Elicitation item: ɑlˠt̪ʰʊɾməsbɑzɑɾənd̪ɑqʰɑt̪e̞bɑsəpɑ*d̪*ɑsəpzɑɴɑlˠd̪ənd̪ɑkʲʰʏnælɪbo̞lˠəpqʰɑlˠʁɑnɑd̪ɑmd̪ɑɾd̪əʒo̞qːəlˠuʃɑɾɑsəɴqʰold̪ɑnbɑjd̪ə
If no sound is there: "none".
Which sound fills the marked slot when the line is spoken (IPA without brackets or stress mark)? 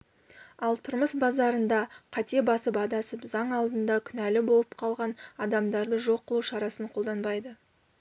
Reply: d̪